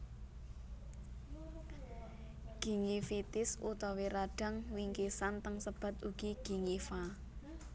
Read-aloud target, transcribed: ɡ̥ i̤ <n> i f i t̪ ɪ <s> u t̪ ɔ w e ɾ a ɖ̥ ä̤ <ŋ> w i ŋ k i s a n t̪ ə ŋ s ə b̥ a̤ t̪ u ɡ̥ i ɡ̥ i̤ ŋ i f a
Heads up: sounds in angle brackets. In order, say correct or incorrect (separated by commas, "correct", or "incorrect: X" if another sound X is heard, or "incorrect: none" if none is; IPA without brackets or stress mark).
incorrect: ŋ, correct, correct